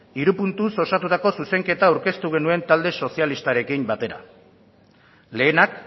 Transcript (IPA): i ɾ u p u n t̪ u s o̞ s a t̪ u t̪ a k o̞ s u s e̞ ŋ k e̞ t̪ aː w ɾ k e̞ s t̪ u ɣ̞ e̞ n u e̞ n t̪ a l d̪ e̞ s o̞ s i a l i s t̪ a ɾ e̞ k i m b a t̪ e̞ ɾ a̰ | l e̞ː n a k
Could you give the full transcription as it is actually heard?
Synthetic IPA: i ɾ u p u n t̪ u s o̞ s a t̪ u t̪ a k o̞ s u s e̞ ŋ k e̞ t̪ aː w ɾ k e̞ s t̪ u ɣ̞ e̞ n u e̞ n t̪ a l d̪ e̞ s o̞ s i a l i s t̪ a ɾ e̞ k i m b a t̪ e̞ ɾ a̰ | l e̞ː n a k

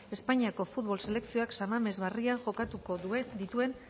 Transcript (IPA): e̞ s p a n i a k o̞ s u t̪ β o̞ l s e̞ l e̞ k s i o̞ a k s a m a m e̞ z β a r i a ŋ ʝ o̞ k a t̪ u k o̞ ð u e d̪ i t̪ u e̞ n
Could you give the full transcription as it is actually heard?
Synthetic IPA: e̞ s p a ɲ i a k o̞ f u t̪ β o̞ l s e̞ l e̞ k s i o̞ a k s a m a m e̞ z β a r i a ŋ ʝ o̞ k a t̪ u k o̞ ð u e d̪ i t̪ u e̞ n

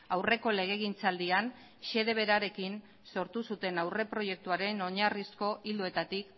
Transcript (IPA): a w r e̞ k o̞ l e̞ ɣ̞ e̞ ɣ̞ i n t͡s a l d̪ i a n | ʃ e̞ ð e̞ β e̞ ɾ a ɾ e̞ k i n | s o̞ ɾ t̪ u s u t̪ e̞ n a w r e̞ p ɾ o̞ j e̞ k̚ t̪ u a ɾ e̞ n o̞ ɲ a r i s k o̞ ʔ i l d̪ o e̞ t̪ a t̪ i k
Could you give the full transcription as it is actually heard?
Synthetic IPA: a w r e̞ k o̞ l e̞ ɣ̞ e̞ ɣ̞ i n t͡s a l d̪ i a n | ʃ e̞ ð e̞ β e̞ ɾ a ɾ e̞ k i n | s o̞ ɾ t̪ u s u t̪ e̞ n a w r e̞ p ɾ o̞ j e̞ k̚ t̪ u a ɾ e̞ n o̞ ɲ a r i s k o̞ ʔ i l d̪ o e̞ t̪ a t̪ i k

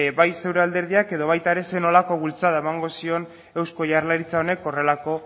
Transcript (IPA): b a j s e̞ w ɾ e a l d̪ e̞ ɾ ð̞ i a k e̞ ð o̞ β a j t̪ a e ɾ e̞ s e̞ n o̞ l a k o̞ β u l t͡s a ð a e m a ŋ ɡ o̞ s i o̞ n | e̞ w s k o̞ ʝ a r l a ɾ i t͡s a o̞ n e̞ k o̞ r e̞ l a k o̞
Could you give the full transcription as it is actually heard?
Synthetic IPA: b a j s e̞ w ɾ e a l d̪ e̞ ɾ ð̞ i a k e̞ ð o̞ β a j t̪ a e ɾ e̞ s e̞ n o̞ l a k o̞ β u l t͡s a ð a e m a ŋ ɡ o̞ s i o̞ n | e̞ w s k o̞ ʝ a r l a ɾ i t͡s a o̞ n e̞ k o̞ r e̞ l a k o̞

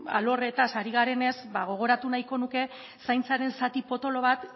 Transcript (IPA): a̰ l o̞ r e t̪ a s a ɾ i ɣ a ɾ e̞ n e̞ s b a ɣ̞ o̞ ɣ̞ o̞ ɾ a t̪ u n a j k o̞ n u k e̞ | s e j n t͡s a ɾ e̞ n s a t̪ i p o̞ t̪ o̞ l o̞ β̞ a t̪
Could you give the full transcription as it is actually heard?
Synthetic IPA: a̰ l o̞ r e t̪ a s a ɾ i ɣ a ɾ e̞ n e̞ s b a ɣ̞ o̞ ɣ̞ o̞ ɾ a t̪ u n a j k o̞ n u k e̞ | s a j n t͡s a ɾ e̞ n s a t̪ i p o̞ t̪ o̞ l o̞ β̞ a t̪

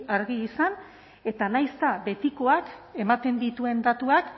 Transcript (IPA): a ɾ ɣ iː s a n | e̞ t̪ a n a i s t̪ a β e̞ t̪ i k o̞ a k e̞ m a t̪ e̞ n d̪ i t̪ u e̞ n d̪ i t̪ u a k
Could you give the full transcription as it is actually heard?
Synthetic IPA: a ɾ ɣ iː s a n | e̞ t̪ a n a j s t̪ a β e̞ t̪ i k o̞ a k e̞ m a t̪ e̞ n d̪ i t̪ u e̞ n d̪ a t̪ u a k

